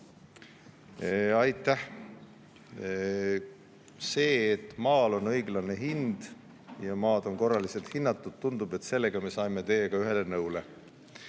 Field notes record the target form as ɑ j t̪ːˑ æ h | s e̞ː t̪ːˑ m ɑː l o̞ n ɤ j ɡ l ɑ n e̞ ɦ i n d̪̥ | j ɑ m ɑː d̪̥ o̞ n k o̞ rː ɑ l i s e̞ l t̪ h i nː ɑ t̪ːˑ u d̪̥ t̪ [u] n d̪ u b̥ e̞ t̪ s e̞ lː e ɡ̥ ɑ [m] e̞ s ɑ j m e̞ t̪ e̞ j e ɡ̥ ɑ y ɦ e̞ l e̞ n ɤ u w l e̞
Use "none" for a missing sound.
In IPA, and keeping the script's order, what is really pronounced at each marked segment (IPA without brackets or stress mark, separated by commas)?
u, m